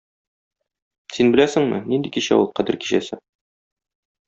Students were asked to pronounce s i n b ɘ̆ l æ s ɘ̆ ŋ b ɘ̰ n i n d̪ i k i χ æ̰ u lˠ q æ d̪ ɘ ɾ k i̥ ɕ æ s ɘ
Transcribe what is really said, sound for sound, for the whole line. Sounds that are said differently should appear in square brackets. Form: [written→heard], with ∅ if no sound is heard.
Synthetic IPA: s i n b ɘ̆ l æ s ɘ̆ ŋ [b→m] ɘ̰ n i n d̪ i k i [χ→ɕ] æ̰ u lˠ q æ d̪ ɘ ɾ k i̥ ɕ æ s ɘ